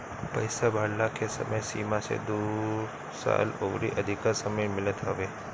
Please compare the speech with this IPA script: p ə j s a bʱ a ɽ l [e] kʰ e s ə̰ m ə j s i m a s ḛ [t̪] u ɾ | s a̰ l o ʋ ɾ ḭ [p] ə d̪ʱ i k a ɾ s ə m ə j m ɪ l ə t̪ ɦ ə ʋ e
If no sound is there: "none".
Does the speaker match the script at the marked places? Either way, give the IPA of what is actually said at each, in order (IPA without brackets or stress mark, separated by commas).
a, d̪, ʔ